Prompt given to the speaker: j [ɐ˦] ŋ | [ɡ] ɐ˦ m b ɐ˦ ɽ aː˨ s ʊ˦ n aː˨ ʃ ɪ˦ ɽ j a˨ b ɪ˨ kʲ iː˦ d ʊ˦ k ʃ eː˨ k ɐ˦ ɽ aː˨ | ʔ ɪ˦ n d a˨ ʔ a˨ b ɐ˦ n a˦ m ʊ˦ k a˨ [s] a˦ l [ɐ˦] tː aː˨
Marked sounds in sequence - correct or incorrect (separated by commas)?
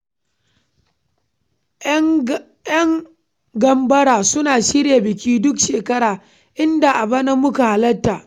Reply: correct, correct, incorrect, correct